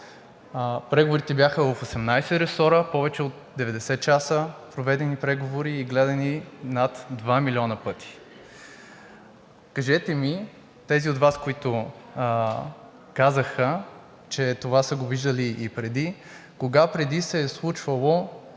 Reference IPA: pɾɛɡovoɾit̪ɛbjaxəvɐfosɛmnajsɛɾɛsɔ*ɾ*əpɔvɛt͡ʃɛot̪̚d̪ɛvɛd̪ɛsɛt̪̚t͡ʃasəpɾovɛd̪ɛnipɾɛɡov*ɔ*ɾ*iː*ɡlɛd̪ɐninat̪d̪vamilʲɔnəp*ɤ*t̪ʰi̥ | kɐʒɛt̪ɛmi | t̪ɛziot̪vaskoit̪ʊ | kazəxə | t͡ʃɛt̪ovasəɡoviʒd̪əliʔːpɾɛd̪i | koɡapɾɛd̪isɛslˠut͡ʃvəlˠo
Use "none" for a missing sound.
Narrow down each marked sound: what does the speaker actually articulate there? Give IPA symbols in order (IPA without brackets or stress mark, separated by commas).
ɾ, o, iː, ɤ